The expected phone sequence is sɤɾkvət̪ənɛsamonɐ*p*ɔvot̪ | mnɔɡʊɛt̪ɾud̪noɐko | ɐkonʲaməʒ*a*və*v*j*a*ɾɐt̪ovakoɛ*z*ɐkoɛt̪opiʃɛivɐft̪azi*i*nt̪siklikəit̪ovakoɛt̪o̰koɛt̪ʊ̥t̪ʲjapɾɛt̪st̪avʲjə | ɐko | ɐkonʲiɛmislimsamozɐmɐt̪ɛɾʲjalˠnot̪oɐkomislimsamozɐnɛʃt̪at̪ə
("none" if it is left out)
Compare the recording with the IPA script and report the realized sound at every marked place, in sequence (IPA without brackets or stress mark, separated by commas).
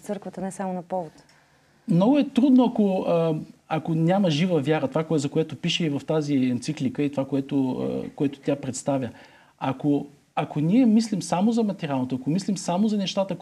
p, i, v, a, z, ɛ